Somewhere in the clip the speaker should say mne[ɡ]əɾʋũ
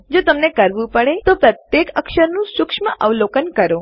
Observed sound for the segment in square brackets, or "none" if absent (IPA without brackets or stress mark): k